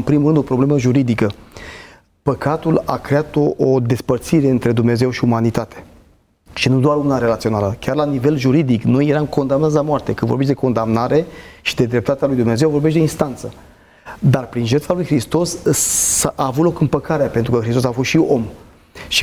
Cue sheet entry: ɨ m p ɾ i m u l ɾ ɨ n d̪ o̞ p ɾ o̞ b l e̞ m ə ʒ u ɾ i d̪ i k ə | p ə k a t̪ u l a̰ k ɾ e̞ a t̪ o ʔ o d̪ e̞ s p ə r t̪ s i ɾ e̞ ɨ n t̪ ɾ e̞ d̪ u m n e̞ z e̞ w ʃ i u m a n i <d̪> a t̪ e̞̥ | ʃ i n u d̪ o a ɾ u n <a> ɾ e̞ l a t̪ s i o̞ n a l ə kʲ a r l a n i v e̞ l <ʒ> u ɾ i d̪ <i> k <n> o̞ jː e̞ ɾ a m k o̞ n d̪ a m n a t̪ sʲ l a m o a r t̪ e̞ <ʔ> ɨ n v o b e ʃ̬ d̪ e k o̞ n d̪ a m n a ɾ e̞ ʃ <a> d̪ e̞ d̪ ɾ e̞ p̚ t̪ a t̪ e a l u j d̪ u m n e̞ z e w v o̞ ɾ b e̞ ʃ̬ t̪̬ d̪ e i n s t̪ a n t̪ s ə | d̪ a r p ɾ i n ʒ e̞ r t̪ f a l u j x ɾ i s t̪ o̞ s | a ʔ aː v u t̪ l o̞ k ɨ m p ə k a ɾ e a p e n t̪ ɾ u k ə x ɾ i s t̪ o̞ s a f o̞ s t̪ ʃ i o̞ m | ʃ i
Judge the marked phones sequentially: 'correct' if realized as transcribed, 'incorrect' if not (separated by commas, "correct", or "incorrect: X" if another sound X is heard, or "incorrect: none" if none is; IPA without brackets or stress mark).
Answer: incorrect: t̪, correct, correct, correct, correct, incorrect: k, incorrect: i